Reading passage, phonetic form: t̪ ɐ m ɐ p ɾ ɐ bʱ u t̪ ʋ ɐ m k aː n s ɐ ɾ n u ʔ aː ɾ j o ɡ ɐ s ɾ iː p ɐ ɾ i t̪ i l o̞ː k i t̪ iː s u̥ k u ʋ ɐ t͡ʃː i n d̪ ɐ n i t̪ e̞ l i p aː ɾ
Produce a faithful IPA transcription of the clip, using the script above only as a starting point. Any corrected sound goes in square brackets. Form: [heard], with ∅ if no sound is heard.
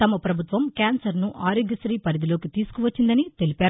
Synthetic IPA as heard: t̪ ɐ m ɐ p ɾ ɐ bʱ u t̪ ʋ ɐ m k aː n s ɐ ɾ n u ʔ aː ɾ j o ɡ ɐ s ɾ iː p ɐ ɾ i [d̪] i l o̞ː k i t̪ iː s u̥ k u ʋ ɐ t͡ʃː i n d̪ ɐ n i t̪ e̞ l i p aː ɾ